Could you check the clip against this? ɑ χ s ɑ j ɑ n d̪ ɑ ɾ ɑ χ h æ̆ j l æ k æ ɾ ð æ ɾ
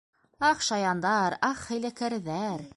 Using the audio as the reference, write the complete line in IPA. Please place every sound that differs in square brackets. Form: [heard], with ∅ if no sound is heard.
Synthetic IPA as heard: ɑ χ [ʃ] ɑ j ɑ n d̪ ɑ ɾ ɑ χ h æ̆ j l æ k æ ɾ ð æ ɾ